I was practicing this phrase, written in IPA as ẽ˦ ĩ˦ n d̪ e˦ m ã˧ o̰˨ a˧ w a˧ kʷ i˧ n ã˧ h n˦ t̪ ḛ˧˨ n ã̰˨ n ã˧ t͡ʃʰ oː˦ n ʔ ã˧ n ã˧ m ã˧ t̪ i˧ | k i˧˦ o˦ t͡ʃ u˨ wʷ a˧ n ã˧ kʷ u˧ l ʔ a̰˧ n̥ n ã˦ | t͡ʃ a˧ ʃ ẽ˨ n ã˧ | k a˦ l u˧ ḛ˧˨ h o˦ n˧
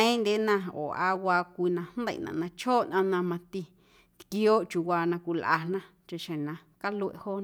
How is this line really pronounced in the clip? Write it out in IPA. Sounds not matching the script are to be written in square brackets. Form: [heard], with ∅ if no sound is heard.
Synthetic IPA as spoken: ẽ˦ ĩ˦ n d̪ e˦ [n] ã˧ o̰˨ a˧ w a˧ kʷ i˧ n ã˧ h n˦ [d̪] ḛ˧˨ n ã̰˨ n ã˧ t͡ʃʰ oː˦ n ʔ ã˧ n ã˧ m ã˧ t̪ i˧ | k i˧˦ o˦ t͡ʃ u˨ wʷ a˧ n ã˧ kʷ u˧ l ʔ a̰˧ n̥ n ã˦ | t͡ʃ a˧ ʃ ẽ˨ n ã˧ | k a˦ l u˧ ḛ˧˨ h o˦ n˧

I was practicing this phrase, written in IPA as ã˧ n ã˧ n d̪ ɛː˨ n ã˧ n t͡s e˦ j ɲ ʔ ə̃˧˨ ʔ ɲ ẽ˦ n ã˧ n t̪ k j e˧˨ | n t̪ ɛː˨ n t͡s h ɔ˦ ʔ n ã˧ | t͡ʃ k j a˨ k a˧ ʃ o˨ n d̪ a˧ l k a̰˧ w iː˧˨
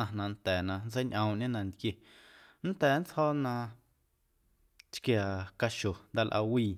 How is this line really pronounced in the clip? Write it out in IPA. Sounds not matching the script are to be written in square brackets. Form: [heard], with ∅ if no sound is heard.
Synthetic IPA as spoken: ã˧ n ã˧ n [t̪] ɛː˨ n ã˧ n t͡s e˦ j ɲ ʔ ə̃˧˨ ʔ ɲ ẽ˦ n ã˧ n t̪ k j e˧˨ | n t̪ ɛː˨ n t͡s h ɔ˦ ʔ n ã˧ | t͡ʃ k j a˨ k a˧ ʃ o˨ n d̪ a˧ l [ʔ] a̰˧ w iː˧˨

